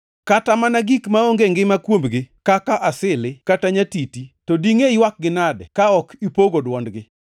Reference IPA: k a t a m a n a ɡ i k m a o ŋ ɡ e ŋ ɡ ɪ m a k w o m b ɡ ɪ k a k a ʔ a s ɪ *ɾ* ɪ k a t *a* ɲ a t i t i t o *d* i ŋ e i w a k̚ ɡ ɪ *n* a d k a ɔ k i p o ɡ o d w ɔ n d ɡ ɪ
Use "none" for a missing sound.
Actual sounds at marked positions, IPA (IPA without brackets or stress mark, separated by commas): l, a, d, n